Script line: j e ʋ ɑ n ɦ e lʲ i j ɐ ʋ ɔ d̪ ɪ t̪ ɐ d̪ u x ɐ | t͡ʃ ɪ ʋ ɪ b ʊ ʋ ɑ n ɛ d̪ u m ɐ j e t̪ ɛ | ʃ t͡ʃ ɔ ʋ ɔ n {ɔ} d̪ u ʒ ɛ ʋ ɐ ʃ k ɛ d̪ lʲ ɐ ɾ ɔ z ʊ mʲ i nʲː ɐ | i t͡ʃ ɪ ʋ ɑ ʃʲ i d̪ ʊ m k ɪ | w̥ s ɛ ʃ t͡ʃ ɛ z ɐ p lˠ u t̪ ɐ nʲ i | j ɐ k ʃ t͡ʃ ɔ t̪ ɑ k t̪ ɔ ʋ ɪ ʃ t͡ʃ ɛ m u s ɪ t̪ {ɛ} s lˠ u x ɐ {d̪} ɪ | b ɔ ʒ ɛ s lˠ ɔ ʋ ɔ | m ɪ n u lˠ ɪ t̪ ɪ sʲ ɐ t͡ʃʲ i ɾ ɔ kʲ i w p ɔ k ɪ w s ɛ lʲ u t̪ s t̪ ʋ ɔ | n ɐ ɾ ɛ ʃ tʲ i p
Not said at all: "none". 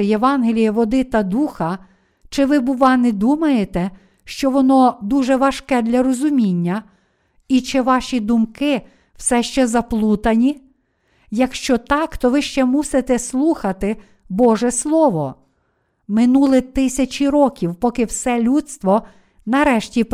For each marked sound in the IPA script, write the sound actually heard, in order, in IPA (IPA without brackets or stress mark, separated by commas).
ɔ, ɛ, t̪